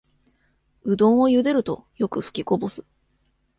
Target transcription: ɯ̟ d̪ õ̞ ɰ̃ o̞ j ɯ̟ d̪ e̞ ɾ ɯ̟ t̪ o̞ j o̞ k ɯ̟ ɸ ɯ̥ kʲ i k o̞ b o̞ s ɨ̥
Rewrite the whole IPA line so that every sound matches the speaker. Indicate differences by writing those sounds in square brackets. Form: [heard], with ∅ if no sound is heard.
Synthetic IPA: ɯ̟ d̪ õ̞ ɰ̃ o̞ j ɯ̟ d̪ e̞ ɾ ɯ̟ t̪ o̞ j o̞ k ɯ̟ ɸ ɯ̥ kʲ i k o̞ b o̞ s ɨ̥